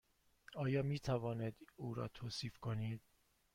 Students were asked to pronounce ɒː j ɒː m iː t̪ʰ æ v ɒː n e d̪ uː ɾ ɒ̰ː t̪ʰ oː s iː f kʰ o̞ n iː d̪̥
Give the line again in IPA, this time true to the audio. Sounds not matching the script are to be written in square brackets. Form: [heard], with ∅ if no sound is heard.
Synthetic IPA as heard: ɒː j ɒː m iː t̪ʰ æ v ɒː n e d̪ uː ɾ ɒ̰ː t̪ʰ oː s iː f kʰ o̞ n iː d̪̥

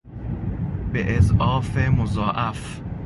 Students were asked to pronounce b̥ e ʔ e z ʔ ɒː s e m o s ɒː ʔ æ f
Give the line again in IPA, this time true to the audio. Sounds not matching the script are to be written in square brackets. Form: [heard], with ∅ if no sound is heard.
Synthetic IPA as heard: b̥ e ʔ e z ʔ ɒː [f] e m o [z] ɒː ʔ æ f

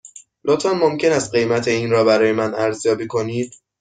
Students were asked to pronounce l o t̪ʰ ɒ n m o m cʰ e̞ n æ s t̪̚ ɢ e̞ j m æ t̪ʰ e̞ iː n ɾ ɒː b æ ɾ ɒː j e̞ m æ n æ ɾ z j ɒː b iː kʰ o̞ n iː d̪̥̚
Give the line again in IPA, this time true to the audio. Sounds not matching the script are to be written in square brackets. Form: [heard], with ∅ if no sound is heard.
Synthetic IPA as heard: l o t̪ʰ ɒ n m o m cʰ e̞ n æ s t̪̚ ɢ e̞ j m æ t̪ʰ e̞ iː n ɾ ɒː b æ ɾ ɒː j e̞ m æ n æ ɾ z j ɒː b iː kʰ o̞ n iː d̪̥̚

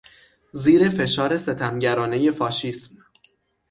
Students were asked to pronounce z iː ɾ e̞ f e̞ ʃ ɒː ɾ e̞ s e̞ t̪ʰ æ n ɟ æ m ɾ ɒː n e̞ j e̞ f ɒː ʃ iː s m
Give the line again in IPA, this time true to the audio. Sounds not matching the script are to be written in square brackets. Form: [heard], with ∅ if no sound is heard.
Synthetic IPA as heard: z iː ɾ e̞ f e̞ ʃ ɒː ɾ e̞ s e̞ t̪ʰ æ [m] ɟ æ [∅] ɾ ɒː n e̞ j e̞ f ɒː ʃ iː s m

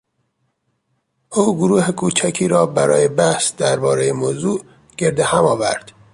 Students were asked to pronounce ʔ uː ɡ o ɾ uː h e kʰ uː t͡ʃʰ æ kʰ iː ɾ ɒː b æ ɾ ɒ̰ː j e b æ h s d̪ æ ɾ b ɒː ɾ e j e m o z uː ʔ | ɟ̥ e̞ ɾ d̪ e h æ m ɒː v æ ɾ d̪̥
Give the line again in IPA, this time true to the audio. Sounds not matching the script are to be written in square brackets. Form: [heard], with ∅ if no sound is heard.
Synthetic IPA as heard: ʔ uː ɡ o ɾ uː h e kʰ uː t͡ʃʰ æ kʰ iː ɾ ɒː b æ ɾ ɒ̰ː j e b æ h s d̪ æ ɾ b ɒː ɾ e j e m o z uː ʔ | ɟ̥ e̞ ɾ d̪ e h æ m ɒː v æ ɾ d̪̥

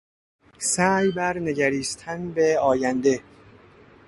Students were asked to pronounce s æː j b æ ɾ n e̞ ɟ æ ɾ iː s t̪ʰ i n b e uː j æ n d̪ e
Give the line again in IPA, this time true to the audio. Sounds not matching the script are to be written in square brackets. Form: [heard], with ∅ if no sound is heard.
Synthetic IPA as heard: s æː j b æ ɾ n e̞ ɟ æ ɾ iː s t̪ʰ [æ] n b e [ɒː] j æ n d̪ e

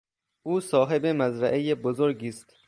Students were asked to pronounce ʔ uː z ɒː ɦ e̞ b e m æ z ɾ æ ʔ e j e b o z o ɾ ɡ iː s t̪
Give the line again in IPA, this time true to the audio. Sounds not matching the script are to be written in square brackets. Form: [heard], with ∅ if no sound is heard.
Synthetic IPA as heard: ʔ uː [s] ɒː ɦ e̞ b e m æ z ɾ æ ʔ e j e b o z o ɾ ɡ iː s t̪

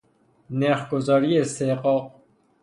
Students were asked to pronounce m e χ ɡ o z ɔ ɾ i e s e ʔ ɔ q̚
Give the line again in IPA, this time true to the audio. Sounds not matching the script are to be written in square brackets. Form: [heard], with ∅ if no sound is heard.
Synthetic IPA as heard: [n] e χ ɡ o z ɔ ɾ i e s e [q] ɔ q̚

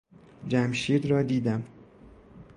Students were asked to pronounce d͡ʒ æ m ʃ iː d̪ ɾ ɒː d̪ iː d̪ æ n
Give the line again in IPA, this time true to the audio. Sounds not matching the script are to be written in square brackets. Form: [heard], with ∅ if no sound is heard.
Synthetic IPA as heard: d͡ʒ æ m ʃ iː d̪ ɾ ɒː d̪ iː d̪ æ [m]

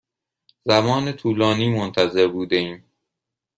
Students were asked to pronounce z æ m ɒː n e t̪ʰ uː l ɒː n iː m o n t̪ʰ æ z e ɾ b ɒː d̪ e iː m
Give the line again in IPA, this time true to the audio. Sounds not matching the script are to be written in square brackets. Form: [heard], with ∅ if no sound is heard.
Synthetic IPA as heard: z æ m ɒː n e t̪ʰ uː l ɒː n iː m o n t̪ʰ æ z e ɾ b [uː] d̪ e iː m

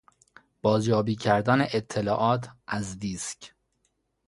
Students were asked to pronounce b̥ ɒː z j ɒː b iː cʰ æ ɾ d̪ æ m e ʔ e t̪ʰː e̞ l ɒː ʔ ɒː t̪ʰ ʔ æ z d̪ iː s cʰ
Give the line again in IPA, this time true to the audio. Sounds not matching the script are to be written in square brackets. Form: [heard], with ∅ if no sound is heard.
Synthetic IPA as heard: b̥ ɒː z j ɒː b iː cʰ æ ɾ d̪ æ [n] e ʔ e t̪ʰː e̞ l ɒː ʔ ɒː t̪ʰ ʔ æ z d̪ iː s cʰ

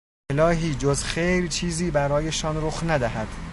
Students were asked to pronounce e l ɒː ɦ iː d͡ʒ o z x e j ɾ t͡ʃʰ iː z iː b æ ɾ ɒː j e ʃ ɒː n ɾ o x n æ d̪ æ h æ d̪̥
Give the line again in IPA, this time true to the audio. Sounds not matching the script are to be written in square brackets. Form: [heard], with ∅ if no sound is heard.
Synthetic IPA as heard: e l ɒː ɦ iː d͡ʒ o z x e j ɾ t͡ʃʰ iː z iː b æ ɾ ɒː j e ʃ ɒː n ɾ o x n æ d̪ æ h æ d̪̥

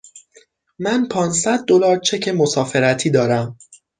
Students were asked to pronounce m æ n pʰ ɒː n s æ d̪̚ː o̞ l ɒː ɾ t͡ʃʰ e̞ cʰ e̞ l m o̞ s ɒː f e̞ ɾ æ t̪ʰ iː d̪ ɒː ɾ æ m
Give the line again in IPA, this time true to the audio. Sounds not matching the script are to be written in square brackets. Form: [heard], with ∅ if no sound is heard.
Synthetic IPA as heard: m æ n pʰ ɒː n s æ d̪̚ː o̞ l ɒː ɾ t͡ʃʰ e̞ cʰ e̞ [∅] m o̞ s ɒː f e̞ ɾ æ t̪ʰ iː d̪ ɒː ɾ æ m

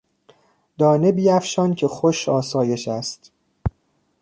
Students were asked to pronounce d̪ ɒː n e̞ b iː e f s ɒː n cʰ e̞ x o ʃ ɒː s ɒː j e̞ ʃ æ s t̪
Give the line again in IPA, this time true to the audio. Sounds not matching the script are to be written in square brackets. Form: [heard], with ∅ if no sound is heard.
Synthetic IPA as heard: d̪ ɒː n e̞ b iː [æ] f [ʃ] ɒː n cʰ e̞ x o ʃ ɒː s ɒː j e̞ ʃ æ s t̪

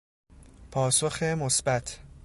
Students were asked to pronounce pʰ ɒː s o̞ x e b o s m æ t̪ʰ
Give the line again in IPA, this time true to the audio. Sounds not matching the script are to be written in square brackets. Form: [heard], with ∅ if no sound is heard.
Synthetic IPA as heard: pʰ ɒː s o̞ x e [m] o s [b] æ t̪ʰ

